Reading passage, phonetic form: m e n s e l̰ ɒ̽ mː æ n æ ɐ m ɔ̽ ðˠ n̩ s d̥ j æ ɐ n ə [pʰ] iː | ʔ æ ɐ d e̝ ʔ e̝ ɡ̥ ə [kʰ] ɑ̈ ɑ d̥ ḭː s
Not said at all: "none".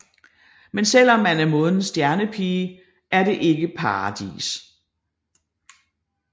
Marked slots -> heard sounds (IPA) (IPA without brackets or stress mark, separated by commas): pʰ, pʰ